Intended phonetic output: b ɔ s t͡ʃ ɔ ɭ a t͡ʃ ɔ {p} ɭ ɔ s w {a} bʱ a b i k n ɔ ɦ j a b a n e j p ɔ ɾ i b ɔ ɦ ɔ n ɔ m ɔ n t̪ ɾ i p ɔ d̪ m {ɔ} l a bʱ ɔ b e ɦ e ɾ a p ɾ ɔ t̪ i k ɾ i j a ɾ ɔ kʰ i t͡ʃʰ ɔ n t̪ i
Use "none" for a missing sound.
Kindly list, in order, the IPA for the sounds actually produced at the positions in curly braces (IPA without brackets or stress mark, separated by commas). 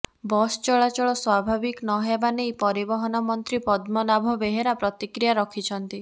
none, a, ɔ